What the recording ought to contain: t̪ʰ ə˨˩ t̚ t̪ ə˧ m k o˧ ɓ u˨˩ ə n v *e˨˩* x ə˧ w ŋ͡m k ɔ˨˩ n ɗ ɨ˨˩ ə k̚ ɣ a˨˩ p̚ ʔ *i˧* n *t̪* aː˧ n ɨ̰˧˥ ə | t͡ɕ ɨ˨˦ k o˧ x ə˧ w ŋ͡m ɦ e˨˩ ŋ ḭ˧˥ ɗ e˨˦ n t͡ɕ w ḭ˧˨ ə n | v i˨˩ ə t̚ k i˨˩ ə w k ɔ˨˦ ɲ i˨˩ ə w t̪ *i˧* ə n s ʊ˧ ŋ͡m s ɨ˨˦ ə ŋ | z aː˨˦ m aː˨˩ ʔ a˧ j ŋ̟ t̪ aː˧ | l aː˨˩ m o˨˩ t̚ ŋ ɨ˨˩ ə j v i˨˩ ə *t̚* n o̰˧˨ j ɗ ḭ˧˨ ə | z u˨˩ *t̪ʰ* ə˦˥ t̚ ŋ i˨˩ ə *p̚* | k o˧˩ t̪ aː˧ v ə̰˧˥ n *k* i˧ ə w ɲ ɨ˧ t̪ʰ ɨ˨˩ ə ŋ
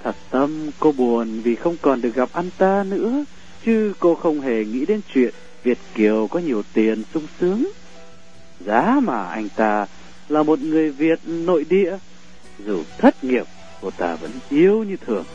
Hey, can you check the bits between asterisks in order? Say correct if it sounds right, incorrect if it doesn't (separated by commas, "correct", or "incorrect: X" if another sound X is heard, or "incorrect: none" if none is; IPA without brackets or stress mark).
incorrect: i˨˩, incorrect: a˧, correct, incorrect: i˨˩, correct, correct, correct, incorrect: ʔ